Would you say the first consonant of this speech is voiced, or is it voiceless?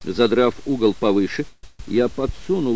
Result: voiced